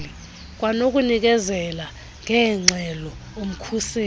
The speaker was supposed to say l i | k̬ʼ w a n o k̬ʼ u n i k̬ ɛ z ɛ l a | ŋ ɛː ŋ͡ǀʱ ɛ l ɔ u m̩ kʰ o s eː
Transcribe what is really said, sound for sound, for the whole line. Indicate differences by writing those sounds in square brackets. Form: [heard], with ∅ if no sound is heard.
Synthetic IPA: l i | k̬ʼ w a n o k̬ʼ u n i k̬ ɛ z ɛ l a | ŋ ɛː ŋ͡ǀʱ ɛ l ɔ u m̩ kʰ [u] s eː